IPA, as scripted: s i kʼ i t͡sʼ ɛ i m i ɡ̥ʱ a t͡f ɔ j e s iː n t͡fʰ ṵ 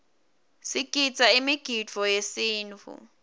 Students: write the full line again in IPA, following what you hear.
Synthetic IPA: s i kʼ i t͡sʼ a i m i ɡ̥ʱ i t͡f ɔ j e s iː n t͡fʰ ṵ